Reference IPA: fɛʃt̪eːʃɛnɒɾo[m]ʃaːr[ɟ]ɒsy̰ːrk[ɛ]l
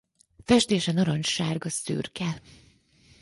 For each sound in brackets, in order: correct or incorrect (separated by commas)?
incorrect, incorrect, correct